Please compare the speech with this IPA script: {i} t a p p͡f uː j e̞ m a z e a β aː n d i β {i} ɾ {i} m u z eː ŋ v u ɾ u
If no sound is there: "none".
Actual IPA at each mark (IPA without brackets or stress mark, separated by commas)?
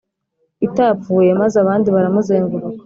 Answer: i, a, a